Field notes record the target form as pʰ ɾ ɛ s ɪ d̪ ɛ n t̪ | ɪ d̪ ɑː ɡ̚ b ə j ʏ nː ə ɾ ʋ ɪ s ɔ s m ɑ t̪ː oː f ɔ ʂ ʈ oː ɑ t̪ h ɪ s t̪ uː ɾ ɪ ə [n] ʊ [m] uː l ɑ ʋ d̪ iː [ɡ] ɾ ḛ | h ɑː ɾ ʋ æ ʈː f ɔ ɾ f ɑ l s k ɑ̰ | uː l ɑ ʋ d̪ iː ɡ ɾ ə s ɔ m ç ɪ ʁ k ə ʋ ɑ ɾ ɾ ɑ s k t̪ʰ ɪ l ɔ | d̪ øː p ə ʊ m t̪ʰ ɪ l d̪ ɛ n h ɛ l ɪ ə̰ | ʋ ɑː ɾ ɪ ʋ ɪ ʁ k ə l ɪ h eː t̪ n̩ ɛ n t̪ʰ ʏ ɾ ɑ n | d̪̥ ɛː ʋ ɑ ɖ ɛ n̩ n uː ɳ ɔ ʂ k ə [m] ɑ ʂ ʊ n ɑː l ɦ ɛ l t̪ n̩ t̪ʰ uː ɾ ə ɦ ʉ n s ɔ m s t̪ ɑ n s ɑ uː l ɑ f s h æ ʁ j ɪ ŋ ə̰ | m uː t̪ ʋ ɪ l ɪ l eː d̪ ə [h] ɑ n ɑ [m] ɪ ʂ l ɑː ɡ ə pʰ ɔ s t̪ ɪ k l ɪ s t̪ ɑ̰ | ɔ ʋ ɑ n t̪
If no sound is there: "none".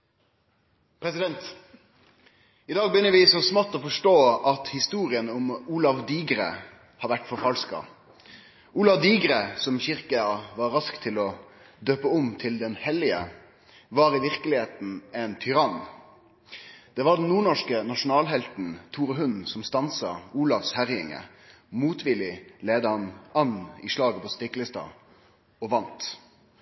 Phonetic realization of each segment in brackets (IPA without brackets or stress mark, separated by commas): n, m, ɡ, n, h, n